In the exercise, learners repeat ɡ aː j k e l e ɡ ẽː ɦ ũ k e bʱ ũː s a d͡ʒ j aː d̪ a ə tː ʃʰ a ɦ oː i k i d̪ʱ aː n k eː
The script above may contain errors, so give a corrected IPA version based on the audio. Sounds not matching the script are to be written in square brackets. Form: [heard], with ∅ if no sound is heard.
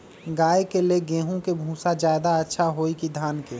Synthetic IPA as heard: ɡ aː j k e l e ɡ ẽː ɦ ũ k e bʱ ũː s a d͡ʒ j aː d̪ a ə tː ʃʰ a ɦ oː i k i d̪ʱ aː n k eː